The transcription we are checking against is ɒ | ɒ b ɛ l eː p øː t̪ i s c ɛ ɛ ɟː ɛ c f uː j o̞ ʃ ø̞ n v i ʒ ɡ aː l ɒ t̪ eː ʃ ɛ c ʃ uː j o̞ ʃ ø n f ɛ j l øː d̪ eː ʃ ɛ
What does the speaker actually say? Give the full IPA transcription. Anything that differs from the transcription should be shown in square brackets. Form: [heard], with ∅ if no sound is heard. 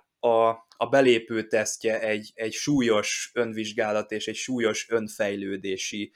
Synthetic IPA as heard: ɒ | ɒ b ɛ l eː p øː t̪ [ɛ] s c ɛ ɛ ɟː ɛ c [ʃ] uː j o̞ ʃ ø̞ n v i ʒ ɡ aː l ɒ t̪ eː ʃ ɛ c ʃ uː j o̞ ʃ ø n f ɛ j l øː d̪ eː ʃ [i]